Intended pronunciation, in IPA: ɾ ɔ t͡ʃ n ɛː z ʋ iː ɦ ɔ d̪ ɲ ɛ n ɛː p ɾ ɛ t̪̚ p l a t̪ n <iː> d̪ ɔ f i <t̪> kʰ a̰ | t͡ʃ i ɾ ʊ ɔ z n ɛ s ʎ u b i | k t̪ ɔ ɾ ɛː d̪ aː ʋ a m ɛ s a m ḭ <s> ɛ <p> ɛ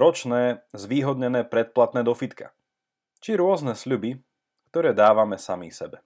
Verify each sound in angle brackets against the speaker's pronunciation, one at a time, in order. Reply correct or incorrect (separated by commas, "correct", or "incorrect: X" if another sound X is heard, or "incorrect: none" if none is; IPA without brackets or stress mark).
incorrect: ɛː, correct, correct, incorrect: b